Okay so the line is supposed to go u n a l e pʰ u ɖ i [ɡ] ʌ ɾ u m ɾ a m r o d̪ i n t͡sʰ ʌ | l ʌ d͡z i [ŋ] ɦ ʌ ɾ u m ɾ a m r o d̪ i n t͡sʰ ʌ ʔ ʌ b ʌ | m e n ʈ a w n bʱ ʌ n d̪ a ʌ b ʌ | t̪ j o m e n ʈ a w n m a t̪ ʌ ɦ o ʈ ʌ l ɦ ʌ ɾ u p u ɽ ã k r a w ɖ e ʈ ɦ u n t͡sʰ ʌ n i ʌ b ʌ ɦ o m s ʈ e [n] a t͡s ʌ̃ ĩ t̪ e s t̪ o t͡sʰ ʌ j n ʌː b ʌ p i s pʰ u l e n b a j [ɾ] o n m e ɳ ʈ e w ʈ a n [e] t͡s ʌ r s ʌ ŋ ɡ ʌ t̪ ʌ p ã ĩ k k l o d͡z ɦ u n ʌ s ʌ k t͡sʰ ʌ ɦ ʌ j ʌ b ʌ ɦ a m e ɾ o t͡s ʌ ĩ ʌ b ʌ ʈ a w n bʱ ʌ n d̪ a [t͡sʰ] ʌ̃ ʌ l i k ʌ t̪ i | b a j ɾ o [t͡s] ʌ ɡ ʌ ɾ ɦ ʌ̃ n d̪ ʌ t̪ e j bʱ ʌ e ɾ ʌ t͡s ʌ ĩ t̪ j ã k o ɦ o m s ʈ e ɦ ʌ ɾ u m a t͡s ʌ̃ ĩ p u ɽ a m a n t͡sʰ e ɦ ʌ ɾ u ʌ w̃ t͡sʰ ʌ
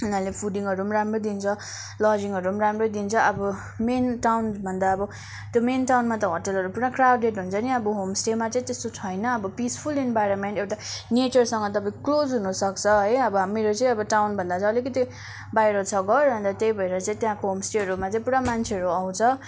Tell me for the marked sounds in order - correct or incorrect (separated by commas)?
incorrect, correct, incorrect, correct, correct, incorrect, incorrect